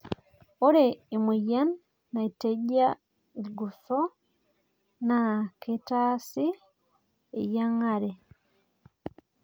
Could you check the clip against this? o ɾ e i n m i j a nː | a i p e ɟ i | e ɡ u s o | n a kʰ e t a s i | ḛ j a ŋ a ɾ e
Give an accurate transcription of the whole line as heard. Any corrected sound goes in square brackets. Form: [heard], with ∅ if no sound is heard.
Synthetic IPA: o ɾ e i [∅] m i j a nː | a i [t] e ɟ [a] | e ɡ u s o | n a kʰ e t a s i | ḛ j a ŋ a ɾ e